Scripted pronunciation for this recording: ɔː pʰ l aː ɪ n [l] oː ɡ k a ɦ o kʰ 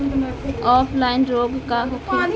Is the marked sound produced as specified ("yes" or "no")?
no